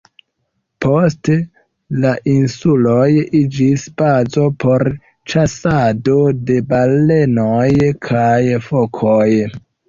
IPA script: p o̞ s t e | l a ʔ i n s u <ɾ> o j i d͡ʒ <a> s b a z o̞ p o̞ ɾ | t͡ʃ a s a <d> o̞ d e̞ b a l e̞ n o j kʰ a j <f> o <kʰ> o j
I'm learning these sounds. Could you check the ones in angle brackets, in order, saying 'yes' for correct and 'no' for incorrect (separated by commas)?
no, no, yes, yes, yes